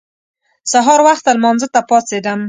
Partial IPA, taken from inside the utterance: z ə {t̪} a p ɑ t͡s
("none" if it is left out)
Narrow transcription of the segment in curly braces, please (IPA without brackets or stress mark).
t̪